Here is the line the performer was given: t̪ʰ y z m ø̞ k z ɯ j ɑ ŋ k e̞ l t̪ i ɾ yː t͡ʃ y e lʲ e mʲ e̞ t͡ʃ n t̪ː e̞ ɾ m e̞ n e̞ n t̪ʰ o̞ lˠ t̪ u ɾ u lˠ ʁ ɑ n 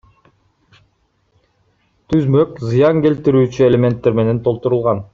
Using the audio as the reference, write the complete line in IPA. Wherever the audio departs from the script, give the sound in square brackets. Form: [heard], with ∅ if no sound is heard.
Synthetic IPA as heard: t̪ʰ y z m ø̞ k z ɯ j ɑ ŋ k e̞ l t̪ i ɾ yː t͡ʃ y e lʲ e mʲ e̞ [∅] n t̪ː e̞ ɾ m e̞ n e̞ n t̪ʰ o̞ lˠ t̪ u ɾ u lˠ ʁ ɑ n